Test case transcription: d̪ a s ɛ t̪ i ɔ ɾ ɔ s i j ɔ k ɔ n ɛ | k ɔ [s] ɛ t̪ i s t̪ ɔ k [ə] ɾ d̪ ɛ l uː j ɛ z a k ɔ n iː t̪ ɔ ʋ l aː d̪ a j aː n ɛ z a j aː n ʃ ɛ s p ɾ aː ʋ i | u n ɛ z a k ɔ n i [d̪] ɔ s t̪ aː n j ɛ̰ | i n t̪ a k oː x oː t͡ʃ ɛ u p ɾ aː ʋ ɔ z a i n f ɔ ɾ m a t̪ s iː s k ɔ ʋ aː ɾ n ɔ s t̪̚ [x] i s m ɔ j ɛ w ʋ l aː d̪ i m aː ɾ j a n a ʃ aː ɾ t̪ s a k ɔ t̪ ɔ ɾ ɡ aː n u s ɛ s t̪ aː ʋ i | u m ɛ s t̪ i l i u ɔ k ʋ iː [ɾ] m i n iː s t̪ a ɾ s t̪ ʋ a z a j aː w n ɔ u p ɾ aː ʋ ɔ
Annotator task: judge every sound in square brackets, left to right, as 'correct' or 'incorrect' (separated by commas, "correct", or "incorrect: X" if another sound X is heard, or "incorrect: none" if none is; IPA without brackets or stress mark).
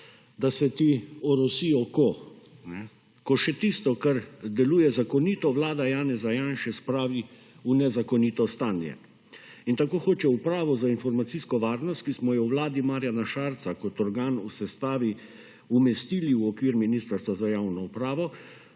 incorrect: ʃ, incorrect: a, incorrect: t̪, incorrect: k, correct